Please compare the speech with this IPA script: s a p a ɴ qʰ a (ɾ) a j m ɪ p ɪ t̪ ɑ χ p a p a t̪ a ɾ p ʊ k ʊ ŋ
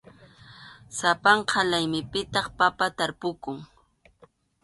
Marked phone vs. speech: incorrect: l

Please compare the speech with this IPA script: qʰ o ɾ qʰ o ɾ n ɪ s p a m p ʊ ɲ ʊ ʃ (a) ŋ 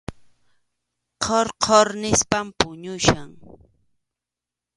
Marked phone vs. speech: correct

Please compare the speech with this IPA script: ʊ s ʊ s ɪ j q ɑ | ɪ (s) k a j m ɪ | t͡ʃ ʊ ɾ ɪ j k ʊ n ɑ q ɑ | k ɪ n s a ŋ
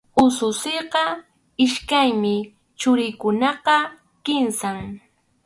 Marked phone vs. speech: incorrect: ʃ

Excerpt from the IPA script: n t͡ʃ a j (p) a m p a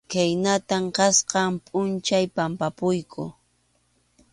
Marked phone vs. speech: correct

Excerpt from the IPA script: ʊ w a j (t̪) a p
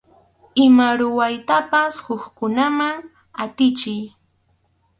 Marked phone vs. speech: correct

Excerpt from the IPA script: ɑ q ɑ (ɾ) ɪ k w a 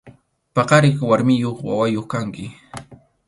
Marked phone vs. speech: correct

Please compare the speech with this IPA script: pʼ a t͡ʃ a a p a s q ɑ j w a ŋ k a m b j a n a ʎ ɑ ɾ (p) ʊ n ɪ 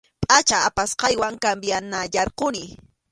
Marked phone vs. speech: incorrect: q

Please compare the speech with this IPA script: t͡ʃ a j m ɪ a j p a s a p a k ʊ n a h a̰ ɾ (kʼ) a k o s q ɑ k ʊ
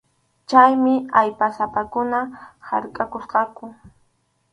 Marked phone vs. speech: correct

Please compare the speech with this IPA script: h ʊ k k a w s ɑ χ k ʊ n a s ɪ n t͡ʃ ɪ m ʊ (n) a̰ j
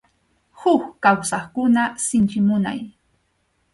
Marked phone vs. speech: correct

